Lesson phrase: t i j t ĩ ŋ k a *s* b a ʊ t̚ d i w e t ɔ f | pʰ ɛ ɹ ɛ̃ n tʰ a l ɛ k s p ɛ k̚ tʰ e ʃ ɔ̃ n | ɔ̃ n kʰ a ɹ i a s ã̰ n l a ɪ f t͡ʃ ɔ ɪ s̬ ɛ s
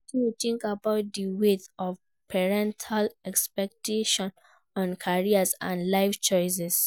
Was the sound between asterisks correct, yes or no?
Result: no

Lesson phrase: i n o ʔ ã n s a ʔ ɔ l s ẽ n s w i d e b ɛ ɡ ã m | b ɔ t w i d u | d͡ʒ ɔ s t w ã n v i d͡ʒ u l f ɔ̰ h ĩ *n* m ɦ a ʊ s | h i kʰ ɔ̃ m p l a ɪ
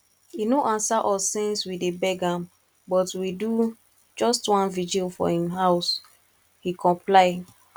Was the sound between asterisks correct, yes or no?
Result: no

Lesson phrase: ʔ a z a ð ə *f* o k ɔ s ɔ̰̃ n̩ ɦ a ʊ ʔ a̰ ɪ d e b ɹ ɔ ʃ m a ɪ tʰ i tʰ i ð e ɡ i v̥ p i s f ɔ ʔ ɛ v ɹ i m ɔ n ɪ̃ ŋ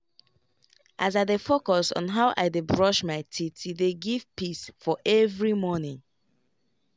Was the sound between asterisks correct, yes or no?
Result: yes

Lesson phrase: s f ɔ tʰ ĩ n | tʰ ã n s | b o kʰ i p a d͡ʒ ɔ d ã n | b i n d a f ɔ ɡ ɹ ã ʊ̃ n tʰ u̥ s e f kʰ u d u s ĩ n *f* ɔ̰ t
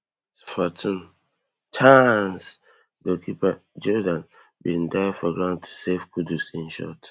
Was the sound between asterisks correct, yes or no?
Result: no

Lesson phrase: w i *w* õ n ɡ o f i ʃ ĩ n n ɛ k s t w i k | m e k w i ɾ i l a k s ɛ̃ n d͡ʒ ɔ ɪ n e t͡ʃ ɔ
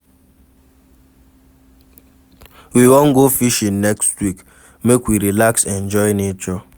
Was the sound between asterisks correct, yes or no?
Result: yes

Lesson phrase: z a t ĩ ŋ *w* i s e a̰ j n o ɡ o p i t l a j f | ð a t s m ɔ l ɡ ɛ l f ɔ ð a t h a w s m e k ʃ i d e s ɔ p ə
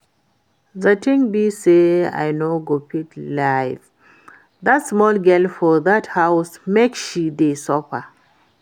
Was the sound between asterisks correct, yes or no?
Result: no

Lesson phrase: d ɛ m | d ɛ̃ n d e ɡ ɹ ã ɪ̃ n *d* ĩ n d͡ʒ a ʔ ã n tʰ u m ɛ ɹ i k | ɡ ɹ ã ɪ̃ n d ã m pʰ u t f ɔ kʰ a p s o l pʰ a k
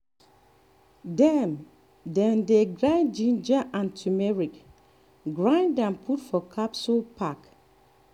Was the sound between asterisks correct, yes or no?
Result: no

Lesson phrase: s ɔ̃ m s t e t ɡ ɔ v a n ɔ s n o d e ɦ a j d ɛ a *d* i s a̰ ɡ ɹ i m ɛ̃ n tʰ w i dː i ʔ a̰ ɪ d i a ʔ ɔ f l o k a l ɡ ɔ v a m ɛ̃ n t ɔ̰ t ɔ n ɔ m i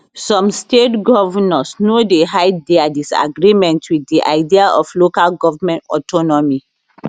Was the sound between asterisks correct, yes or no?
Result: yes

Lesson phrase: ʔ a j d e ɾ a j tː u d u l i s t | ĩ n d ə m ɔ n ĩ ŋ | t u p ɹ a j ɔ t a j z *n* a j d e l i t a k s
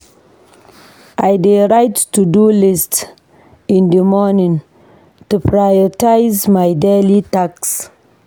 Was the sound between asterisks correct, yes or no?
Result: no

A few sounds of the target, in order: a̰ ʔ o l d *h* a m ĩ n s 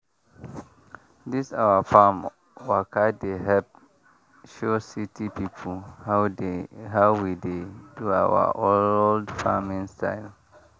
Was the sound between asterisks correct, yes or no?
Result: no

